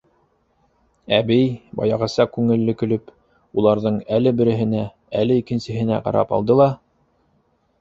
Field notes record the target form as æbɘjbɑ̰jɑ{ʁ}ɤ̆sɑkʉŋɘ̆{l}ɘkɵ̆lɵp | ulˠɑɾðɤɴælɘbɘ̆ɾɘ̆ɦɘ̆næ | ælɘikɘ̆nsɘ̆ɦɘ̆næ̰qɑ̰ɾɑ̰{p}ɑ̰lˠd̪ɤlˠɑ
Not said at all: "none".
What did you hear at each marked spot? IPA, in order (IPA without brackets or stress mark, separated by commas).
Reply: ʁ, lː, p